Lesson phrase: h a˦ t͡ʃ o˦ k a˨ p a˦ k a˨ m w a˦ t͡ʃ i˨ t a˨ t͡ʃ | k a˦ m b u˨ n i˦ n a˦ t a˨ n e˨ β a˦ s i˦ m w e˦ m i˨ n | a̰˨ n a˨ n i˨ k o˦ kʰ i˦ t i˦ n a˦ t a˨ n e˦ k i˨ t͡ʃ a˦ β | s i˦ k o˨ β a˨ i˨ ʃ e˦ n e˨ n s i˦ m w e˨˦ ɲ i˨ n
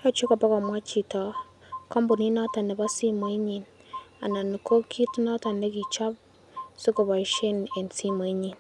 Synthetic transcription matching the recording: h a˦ t͡ʃ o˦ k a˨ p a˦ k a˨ m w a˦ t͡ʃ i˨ t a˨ | k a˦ m b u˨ n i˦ n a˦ t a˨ n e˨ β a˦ s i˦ m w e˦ ɲ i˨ n | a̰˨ n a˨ n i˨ k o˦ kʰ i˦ t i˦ n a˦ t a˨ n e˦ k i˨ t͡ʃ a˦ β | s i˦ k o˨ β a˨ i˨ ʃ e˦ n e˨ n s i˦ m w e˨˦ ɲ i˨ n